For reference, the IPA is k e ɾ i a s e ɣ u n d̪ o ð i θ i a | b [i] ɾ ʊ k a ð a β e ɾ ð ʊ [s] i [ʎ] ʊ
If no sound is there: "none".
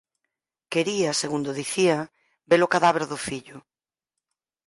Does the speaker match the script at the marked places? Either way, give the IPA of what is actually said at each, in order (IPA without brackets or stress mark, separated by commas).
e, f, ʎ